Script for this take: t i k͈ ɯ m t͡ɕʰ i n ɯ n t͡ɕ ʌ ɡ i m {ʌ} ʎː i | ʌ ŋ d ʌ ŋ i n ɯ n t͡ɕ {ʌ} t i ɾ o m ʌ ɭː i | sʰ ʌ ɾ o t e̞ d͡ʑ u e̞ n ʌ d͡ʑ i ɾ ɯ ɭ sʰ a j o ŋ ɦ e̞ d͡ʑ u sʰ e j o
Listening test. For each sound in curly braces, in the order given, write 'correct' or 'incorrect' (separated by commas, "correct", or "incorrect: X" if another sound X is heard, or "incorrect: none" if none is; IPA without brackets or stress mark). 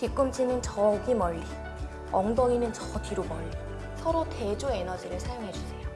correct, correct